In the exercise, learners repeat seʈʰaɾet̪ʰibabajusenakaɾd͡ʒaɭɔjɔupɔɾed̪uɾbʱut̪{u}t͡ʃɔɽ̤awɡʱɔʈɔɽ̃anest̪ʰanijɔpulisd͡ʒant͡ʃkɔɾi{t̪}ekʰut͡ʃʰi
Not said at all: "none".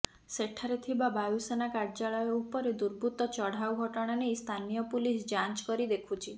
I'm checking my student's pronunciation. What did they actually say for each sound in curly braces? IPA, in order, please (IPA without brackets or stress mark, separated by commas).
ɔ, d̪